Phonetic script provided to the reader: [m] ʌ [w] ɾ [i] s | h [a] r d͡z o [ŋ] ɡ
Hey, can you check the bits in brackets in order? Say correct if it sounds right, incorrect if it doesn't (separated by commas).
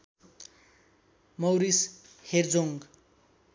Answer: correct, correct, correct, incorrect, correct